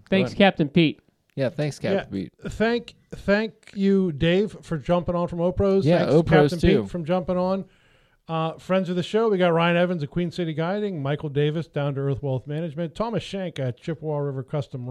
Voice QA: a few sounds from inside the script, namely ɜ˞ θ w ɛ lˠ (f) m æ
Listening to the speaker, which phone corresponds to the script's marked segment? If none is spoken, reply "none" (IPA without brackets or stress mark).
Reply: θ